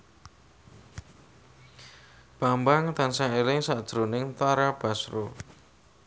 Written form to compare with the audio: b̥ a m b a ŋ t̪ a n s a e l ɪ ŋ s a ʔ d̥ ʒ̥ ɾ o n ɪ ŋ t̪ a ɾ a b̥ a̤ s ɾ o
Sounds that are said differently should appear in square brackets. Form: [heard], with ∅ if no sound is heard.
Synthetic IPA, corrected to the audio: b̥ a m b a ŋ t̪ a n s a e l ɪ ŋ s a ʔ d̥ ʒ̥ ɾ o n ɪ ŋ t̪ a ɾ a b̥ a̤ s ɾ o

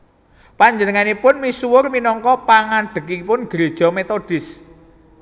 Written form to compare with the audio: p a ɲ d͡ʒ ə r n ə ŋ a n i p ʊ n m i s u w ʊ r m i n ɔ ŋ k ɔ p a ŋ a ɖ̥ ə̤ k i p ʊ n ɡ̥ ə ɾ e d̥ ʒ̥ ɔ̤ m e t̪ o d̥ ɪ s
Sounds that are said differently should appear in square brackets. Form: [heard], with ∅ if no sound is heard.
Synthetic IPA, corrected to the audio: p a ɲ d͡ʒ ə [∅] n ə ŋ a n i p ʊ n m i s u w ʊ r m i n ɔ ŋ k ɔ p a ŋ a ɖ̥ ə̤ k i p ʊ n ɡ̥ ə ɾ e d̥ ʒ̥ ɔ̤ m e t̪ o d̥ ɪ s

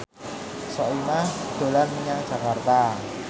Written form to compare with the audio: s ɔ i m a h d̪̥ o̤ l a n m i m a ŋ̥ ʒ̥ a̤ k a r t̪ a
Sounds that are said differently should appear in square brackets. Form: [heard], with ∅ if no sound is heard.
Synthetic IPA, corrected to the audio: s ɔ i m a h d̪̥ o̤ l a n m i [ɲ] a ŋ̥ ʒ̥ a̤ k a r t̪ a

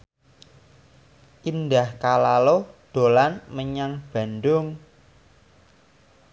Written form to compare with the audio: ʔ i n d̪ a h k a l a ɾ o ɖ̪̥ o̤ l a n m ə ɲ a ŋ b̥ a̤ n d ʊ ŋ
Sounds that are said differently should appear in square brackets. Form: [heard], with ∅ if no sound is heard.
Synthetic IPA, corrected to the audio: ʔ i n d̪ a h k a l a [l] o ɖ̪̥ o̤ l a n m ə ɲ a ŋ b̥ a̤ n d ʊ ŋ

